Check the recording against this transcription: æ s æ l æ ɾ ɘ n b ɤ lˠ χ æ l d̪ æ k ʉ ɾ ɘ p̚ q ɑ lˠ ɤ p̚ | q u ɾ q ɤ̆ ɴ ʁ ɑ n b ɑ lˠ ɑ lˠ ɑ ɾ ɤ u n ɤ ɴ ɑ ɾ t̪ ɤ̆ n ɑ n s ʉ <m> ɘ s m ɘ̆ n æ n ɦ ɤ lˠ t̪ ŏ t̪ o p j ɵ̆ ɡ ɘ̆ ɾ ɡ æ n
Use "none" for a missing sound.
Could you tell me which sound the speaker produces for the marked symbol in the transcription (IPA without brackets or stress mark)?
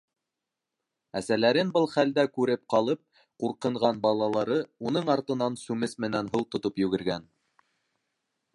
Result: m